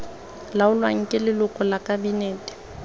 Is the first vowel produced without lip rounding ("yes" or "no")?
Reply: yes